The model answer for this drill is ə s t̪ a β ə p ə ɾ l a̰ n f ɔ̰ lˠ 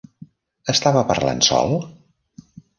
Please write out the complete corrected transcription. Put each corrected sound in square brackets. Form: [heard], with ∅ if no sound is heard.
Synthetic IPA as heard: ə s t̪ a β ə p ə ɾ l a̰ n [s] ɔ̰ lˠ